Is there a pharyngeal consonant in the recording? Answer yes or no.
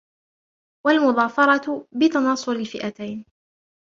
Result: no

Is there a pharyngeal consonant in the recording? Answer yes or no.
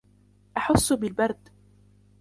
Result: yes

